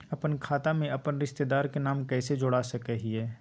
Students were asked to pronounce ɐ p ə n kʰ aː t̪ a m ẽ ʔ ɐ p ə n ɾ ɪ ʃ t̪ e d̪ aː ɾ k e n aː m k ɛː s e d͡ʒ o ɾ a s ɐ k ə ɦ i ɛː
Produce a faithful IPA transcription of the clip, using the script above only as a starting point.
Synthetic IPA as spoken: ɐ p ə n kʰ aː t̪ a m ẽ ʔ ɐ p ə n ɾ ɪ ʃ t̪ e d̪ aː ɾ k e n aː m k ɛː s e d͡ʒ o ɽ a s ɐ k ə ɦ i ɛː